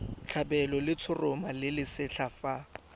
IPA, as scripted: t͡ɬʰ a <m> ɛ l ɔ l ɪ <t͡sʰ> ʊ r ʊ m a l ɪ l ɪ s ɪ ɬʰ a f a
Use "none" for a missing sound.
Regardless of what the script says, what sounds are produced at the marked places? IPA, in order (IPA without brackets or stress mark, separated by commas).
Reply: b, t͡sʰ